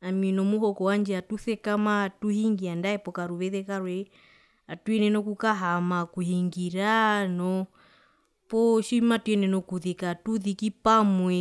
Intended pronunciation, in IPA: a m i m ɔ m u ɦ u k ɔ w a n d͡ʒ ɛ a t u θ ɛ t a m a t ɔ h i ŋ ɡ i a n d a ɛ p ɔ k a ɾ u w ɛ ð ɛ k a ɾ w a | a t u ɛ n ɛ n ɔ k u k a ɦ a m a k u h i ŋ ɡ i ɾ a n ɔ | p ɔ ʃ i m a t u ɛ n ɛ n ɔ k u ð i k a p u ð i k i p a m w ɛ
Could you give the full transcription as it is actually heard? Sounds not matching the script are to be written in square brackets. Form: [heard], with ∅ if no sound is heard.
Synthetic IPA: a m i [n] ɔ m u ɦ [ɔ] k ɔ w a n d͡ʒ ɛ a t u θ ɛ [k] a m a t [u] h i ŋ ɡ i a n d a ɛ p ɔ k a ɾ u [β] ɛ ð ɛ k a ɾ w [ɛ] | a t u ɛ n ɛ n ɔ k u k a ɦ a m a k u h i ŋ ɡ i ɾ a n ɔ | p ɔ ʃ i m a t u ɛ n ɛ n ɔ k u ð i k a [t] u ð i k i p a m w ɛ

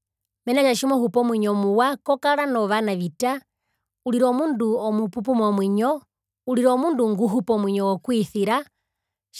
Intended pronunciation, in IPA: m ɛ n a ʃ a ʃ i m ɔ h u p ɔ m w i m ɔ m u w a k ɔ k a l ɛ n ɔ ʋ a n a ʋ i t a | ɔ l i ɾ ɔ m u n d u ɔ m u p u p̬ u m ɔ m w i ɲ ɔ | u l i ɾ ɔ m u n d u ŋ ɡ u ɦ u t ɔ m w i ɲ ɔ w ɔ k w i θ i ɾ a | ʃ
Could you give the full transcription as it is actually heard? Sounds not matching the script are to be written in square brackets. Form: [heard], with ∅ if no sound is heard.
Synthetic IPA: m ɛ n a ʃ a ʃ i m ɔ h u p ɔ m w i [ɲ] ɔ m u w a k ɔ k a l [a] n ɔ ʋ a n a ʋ i t a | [u] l i ɾ ɔ m u n d u ɔ m u p u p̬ u m ɔ m w i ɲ ɔ | u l i ɾ ɔ m u n d u ŋ ɡ u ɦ u [p] ɔ m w i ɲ ɔ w ɔ k w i θ i ɾ a | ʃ

